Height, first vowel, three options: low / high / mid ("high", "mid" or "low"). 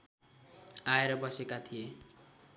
low